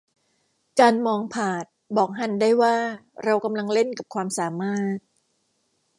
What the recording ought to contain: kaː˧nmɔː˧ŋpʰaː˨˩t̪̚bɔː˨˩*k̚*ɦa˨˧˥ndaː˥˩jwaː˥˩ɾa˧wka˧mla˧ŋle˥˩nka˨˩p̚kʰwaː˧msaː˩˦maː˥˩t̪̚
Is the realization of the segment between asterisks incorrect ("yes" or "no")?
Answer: no